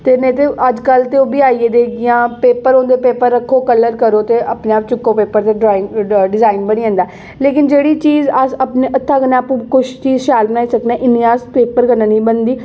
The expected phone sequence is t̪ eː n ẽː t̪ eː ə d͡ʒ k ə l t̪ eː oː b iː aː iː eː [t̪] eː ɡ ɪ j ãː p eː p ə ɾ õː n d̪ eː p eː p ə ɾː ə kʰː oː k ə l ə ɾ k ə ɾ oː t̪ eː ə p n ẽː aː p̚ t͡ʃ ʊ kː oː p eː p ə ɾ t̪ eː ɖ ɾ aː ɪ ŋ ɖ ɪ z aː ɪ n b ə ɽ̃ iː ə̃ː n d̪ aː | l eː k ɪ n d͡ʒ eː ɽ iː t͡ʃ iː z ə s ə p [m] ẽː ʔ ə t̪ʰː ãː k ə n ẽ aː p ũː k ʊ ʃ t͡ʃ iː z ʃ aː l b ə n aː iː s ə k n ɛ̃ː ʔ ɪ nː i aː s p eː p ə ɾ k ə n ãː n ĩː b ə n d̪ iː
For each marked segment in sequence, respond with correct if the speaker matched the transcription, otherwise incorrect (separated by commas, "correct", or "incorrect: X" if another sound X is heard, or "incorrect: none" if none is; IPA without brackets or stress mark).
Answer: incorrect: d̪, incorrect: n